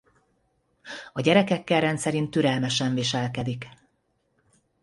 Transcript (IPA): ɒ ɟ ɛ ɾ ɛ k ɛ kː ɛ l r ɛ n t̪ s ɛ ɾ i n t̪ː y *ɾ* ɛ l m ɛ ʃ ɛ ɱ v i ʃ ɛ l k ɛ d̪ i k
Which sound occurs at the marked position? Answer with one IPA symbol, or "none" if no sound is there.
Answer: ɾ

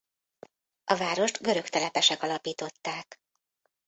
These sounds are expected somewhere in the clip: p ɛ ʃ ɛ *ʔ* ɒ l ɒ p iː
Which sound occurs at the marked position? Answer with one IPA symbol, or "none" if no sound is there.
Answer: k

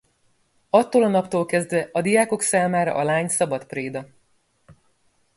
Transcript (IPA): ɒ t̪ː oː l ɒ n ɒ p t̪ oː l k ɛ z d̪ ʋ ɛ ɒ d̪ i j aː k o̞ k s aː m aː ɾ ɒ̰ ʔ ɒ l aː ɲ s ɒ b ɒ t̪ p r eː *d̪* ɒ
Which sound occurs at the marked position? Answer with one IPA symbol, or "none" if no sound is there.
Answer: d̪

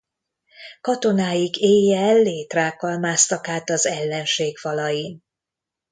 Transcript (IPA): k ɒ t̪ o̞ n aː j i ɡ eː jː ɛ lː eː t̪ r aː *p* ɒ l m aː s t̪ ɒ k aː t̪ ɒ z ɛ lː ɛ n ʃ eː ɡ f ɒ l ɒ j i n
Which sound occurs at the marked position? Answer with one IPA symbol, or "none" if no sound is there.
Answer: k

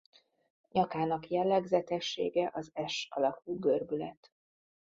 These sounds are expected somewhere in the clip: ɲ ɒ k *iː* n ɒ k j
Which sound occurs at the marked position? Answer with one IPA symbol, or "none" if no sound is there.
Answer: aː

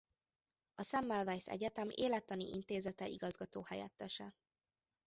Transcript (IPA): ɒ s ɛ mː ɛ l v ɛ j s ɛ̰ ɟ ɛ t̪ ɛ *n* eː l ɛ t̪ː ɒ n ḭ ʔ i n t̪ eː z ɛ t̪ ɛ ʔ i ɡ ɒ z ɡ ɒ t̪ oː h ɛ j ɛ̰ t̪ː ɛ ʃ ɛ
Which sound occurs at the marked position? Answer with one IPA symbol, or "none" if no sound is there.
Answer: m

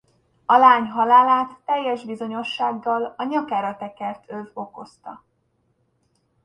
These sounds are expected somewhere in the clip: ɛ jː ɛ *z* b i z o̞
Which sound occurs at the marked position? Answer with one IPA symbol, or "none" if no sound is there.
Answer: ʒ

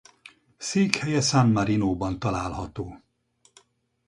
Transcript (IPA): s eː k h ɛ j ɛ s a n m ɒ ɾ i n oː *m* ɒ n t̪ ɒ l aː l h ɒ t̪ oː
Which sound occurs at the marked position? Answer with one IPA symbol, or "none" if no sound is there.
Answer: b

